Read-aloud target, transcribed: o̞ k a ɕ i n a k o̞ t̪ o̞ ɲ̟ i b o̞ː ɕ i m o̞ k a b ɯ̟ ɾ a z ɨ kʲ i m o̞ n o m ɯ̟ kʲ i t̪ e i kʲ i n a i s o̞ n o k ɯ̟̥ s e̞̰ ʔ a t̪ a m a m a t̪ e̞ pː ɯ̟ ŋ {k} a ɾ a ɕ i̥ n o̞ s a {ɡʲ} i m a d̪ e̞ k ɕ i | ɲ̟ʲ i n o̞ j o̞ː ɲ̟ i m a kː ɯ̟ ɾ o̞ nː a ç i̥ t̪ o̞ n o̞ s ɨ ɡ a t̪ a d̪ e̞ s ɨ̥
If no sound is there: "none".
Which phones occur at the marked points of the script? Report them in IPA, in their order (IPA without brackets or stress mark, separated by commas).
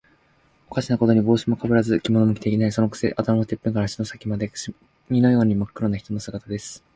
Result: k, kʲ